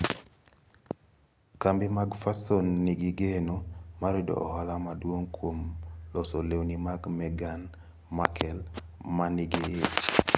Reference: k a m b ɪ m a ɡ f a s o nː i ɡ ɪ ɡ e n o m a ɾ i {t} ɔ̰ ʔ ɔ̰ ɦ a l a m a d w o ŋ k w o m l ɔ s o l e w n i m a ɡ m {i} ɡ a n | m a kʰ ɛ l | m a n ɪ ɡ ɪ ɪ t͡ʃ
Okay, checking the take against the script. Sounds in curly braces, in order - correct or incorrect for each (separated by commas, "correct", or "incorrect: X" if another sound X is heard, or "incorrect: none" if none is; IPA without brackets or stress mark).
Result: incorrect: d, incorrect: ɛ